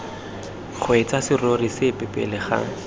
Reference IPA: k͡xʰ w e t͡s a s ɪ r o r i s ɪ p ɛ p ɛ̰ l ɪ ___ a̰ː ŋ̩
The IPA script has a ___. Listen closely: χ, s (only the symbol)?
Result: χ